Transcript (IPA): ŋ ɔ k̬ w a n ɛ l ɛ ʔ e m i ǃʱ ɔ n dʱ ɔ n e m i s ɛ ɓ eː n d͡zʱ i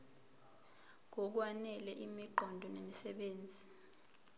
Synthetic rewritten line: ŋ ɔ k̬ w a n ɛ l ɛ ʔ i m i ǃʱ ɔ n dʱ ɔ n e m i s ɛ ɓ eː n d͡zʱ i